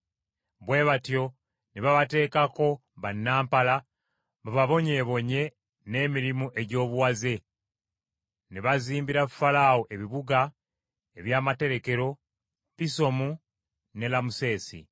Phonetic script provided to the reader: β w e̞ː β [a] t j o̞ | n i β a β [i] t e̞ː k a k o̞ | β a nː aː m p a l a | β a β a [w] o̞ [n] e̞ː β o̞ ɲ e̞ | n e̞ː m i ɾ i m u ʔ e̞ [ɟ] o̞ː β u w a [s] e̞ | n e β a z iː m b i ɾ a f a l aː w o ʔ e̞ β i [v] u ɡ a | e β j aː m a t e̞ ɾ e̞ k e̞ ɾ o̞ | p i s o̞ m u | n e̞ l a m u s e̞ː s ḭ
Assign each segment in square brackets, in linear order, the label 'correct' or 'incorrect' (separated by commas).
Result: correct, incorrect, incorrect, incorrect, correct, incorrect, incorrect